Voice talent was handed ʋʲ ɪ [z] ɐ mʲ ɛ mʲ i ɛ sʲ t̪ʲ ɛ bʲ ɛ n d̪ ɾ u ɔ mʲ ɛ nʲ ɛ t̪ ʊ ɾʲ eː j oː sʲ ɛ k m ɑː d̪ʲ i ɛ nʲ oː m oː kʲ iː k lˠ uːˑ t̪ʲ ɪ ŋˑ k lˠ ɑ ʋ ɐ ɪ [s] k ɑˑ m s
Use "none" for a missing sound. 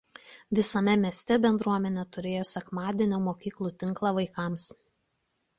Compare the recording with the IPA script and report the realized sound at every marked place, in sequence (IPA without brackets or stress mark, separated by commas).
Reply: s, none